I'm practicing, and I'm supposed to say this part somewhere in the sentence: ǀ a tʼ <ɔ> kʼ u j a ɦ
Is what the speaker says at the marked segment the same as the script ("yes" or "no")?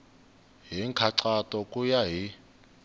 yes